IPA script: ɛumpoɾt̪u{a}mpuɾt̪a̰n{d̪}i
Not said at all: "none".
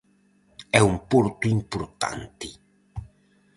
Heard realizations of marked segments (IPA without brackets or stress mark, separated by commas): i, t̪